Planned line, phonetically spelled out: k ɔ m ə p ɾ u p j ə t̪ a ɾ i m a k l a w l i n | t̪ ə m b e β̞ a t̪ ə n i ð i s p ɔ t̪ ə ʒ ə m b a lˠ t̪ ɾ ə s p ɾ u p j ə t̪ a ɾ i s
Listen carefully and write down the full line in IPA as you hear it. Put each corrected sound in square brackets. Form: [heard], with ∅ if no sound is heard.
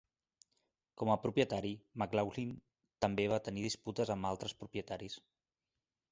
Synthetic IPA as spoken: k ɔ m ə p ɾ u p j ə t̪ a ɾ i m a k l a w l i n | t̪ ə m b e β̞ a t̪ ə n i ð i s p [u] t̪ ə [z] ə m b a lˠ t̪ ɾ ə s p ɾ u p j ə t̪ a ɾ i s